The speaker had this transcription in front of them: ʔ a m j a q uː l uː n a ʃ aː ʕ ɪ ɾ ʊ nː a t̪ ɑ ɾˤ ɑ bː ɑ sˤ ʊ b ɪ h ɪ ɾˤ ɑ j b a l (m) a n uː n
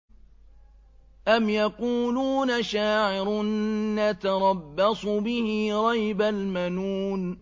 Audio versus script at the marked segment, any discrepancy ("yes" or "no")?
no